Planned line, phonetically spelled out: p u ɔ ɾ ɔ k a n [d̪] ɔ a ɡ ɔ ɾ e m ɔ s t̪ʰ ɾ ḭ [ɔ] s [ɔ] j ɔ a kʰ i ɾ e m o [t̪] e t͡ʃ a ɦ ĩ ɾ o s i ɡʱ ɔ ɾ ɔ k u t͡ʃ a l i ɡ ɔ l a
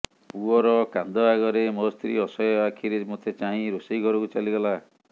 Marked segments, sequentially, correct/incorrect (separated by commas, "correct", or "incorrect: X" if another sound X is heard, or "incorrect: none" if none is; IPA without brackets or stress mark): correct, correct, correct, incorrect: t̪ʰ